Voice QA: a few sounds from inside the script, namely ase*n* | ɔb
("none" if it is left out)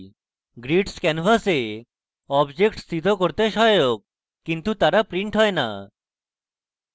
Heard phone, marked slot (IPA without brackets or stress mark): none